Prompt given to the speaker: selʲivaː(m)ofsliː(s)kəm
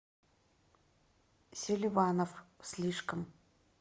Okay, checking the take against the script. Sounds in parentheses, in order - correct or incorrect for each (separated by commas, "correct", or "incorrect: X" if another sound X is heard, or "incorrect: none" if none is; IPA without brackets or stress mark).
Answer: incorrect: n, incorrect: ʂ